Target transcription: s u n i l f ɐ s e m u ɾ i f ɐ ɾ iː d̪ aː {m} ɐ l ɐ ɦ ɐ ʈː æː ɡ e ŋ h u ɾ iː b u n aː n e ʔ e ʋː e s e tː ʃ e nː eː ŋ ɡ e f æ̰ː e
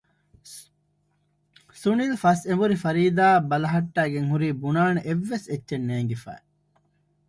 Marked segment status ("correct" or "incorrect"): incorrect